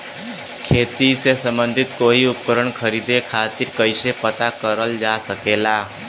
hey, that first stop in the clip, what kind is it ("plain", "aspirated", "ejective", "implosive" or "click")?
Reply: aspirated